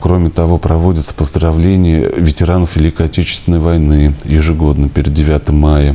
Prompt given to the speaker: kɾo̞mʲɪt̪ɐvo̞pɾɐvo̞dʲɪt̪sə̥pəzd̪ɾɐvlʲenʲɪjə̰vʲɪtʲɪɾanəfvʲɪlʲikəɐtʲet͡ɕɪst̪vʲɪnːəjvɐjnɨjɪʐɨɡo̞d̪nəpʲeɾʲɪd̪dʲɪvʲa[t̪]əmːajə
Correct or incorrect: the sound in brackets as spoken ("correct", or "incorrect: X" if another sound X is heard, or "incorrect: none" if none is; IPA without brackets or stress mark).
correct